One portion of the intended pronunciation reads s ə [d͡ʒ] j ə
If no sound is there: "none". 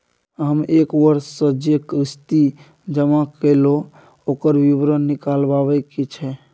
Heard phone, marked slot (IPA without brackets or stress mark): d͡ʒ